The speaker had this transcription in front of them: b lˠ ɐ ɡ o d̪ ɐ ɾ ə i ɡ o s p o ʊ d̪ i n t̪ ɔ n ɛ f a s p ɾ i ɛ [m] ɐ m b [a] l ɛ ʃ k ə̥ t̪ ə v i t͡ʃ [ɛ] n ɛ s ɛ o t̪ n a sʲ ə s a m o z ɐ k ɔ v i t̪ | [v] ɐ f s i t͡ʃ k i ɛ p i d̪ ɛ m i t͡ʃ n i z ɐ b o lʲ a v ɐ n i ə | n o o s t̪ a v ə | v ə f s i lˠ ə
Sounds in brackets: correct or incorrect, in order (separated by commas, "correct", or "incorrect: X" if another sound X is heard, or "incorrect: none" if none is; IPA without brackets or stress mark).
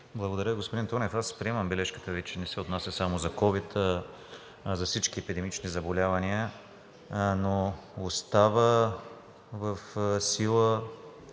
correct, incorrect: ɛ, correct, incorrect: z